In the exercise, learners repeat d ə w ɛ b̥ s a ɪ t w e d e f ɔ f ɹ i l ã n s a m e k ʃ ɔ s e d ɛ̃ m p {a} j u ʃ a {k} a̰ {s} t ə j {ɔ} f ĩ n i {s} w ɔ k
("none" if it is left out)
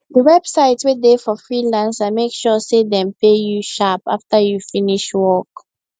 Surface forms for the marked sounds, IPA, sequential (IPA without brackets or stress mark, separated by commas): e, p, f, u, ʃ